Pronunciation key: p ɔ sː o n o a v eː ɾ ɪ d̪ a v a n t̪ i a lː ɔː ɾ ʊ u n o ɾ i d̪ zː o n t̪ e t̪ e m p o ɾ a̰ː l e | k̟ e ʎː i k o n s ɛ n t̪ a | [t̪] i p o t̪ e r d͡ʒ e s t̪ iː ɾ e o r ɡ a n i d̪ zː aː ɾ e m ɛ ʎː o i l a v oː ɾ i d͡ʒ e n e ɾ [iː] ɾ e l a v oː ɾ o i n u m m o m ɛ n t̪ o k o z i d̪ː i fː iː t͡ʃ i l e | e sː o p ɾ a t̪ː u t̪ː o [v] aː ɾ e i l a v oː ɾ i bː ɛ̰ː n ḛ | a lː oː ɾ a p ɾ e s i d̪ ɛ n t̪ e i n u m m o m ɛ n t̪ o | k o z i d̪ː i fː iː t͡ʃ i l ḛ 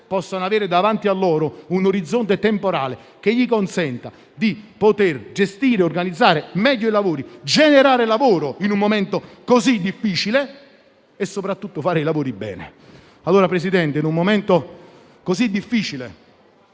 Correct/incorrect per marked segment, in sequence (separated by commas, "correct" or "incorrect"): incorrect, incorrect, incorrect